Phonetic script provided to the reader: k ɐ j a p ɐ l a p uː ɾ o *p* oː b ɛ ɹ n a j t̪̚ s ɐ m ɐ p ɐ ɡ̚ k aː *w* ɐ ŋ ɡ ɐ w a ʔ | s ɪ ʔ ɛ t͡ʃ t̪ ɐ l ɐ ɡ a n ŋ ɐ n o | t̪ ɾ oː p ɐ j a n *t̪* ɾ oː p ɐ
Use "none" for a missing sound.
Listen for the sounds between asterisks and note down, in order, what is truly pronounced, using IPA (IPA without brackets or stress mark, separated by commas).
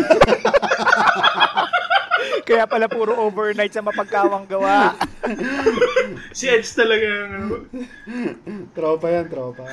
ʔ, w, t̪